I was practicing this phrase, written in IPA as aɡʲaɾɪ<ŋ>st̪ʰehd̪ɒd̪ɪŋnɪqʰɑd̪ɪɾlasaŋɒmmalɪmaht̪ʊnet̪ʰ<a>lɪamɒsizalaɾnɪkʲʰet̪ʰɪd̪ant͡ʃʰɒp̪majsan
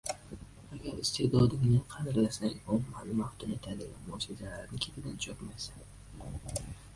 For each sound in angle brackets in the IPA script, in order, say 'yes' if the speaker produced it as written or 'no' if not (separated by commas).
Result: no, yes